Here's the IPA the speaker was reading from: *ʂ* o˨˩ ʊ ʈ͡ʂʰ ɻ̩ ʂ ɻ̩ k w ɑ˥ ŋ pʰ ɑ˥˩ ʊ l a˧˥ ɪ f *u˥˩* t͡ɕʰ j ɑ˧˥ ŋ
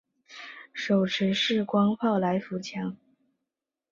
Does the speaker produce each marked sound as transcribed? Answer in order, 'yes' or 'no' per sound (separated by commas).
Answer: yes, no